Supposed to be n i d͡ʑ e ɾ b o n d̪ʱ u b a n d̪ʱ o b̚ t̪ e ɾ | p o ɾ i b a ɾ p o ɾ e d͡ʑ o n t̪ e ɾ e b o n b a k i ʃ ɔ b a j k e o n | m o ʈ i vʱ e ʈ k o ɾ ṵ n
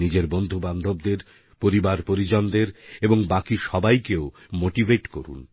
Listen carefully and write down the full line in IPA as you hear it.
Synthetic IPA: n i d͡ʑ e ɾ b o n d̪ʱ u b a n d̪ʱ o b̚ d̪ e ɾ | p o ɾ i b a ɾ p o ɾ i d͡ʑ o n d̪ e ɾ e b o ŋ b a k i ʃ ɔ b a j k e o | m o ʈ i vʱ e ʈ k o ɾ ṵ n

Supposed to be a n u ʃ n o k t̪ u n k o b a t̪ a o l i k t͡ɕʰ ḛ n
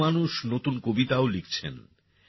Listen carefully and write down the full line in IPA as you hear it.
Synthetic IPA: a n u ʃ n o t̪ u n k o b i t̪ a o l i k t͡ɕʰ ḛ n

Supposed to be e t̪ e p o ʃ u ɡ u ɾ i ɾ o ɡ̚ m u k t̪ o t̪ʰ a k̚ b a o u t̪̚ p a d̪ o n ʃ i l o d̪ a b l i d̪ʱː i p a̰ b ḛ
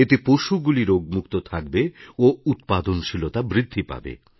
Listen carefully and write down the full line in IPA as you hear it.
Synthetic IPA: e t̪ e p o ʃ u ɡ u l i ɾ o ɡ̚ m u k t̪ o t̪ʰ a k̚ b e o u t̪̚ p a d̪ o n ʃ i l o t̪ a b ɾ i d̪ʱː i p a̰ b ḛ

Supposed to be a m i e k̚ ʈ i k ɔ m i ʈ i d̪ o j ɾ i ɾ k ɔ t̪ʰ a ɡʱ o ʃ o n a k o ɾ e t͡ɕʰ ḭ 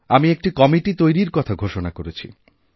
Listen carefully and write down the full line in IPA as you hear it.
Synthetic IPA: a m i e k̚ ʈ i k ɔ m i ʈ i t̪ o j ɾ i ɾ k ɔ t̪ʰ a ɡʱ o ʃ o n a k o ɾ e t͡ɕʰ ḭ

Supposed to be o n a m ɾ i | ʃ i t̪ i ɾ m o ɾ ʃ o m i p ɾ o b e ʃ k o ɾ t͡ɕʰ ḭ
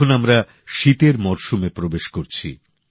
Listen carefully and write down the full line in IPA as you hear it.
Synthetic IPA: o n a m ɾ a | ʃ i t̪ e ɾ m ɔ ɾ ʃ u m e p ɾ o b e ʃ k o ɾ t͡ɕʰ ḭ

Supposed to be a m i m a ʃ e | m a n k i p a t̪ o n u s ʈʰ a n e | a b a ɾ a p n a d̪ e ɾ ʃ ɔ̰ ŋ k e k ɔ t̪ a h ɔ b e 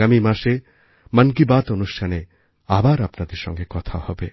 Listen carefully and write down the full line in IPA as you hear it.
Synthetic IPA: a m i m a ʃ e | m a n k i b a t̪ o n u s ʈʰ a n e | a b a ɾ a p n a d̪ e ɾ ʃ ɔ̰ ŋ ɡ e k ɔ t̪ʰ a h ɔ b e

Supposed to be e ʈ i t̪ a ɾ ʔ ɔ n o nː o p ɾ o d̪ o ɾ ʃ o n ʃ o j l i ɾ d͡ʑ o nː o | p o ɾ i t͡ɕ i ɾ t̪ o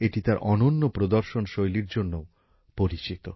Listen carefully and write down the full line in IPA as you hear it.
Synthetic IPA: e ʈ i t̪ a ɾ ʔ ɔ n o nː o p ɾ o d̪ o ɾ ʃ o n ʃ o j l i ɾ d͡ʑ o nː o | p o ɾ i t͡ɕ i t̪ o

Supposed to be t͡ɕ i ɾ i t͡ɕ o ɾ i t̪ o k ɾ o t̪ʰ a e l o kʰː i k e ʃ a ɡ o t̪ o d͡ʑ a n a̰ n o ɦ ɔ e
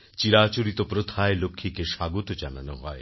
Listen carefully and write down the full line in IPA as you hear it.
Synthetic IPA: t͡ɕ i ɾ a t͡ɕ o ɾ i t̪ o p ɾ o t̪ʰ a e l o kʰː i k e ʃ a ɡ o t̪ o d͡ʑ a n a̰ n o ɦ ɔ e

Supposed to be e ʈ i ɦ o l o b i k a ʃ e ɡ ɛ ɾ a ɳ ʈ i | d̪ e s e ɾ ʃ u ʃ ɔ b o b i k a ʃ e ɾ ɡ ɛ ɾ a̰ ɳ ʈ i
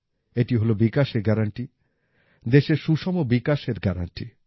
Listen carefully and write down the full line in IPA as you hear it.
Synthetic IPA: e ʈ i ɦ o l o b i k a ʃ e ɡ ɛ ɾ a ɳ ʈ i | d̪ e ʃ e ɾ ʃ u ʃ ɔ m o b i k a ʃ e ɾ ɡ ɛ ɾ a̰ ɳ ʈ i

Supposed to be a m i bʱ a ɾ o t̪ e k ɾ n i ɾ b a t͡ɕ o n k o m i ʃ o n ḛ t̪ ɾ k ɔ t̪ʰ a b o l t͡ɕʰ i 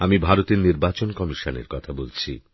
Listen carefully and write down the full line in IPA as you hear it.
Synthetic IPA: a m i bʱ a ɾ o t̪ e ɾ n i ɾ b a t͡ɕ o n k ɔ m i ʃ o n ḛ ɾ k ɔ t̪ʰ a b o l t͡ɕʰ i

